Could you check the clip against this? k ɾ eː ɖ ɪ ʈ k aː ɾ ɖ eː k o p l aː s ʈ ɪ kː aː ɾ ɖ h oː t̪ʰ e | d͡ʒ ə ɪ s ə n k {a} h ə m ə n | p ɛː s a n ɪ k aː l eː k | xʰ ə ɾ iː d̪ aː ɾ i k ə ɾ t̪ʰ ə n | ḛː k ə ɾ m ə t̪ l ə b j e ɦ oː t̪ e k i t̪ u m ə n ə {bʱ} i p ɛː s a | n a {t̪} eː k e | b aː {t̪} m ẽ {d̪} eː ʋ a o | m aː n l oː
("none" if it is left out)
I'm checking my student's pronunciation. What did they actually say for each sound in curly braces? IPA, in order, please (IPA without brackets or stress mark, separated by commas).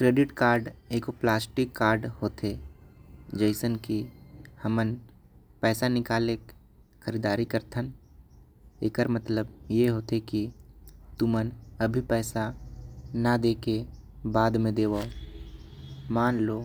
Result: i, bʱ, d̪, d̪, d̪